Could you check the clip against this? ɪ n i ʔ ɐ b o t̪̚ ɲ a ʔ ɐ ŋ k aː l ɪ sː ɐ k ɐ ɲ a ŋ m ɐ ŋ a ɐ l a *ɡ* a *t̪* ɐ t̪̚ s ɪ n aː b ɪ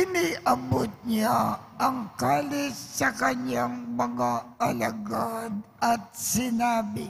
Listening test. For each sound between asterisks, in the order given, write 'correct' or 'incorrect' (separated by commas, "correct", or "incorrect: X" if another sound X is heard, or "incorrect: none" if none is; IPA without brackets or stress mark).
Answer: correct, incorrect: d̪